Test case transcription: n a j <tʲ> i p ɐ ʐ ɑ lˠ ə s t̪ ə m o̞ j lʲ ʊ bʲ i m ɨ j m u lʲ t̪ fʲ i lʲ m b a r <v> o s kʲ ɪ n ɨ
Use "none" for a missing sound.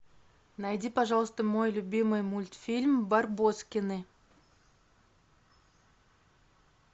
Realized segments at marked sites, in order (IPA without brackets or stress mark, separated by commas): dʲ, b